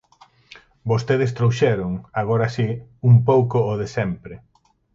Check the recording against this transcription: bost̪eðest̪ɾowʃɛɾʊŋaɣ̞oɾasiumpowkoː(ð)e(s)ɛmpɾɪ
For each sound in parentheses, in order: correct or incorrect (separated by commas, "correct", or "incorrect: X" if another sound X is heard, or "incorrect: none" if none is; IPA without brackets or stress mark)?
correct, correct